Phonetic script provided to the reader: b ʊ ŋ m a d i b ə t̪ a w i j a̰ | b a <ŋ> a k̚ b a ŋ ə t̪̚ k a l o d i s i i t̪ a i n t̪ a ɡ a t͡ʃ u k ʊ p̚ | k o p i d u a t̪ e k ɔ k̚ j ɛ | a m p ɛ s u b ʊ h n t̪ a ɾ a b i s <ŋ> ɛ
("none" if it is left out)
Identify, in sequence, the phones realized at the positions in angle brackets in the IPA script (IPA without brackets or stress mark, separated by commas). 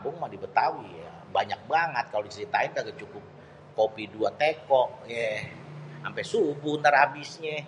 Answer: ɲ, ɲ